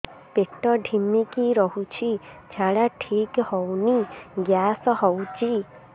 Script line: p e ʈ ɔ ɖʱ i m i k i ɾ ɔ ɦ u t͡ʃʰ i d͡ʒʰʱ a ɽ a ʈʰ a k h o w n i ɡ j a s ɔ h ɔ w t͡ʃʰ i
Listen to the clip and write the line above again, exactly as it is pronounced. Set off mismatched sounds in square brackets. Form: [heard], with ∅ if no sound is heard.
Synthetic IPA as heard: p e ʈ ɔ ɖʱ i m i k i ɾ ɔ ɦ u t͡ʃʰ i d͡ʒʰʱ a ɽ a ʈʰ [i] k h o w n i ɡ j a s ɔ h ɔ w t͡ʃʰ i